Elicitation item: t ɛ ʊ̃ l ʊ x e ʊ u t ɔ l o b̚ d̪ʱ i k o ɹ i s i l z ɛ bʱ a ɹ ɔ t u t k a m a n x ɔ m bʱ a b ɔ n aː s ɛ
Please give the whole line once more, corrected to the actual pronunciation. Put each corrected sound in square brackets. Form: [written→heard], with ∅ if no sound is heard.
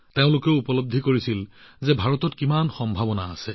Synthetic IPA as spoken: t [ɛ→e] ʊ̃ l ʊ [x→k] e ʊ u [t→p] ɔ l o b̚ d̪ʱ i k o ɹ i s i l z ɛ bʱ a ɹ ɔ t [u→ɔ] t k [a→i] m a n x ɔ m bʱ a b ɔ n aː s ɛ